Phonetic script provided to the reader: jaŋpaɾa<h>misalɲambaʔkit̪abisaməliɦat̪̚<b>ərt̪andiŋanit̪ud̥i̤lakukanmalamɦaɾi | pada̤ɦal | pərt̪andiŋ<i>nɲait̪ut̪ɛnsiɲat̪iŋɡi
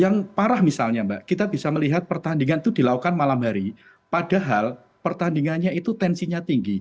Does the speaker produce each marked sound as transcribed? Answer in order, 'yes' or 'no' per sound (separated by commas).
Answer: yes, no, no